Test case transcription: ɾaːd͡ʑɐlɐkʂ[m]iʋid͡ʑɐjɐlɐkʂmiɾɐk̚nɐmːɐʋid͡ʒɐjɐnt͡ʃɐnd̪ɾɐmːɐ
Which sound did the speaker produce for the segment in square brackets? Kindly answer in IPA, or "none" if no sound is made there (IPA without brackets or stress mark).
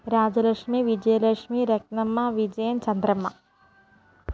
m